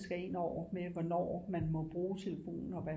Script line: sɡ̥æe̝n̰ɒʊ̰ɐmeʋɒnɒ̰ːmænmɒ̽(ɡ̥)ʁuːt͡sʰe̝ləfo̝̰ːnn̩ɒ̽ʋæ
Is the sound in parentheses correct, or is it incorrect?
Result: incorrect